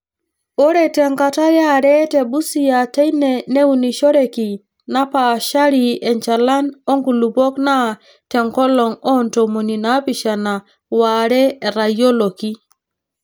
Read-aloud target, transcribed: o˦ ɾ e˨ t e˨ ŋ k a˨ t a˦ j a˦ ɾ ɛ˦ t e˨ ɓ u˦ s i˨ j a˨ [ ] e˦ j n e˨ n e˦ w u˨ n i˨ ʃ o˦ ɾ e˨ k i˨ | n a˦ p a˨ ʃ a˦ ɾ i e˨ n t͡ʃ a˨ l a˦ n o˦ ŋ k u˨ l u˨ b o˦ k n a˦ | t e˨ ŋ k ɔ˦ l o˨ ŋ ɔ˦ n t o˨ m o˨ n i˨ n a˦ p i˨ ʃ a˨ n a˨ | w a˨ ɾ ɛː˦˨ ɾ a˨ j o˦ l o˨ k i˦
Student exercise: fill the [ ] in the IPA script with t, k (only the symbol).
t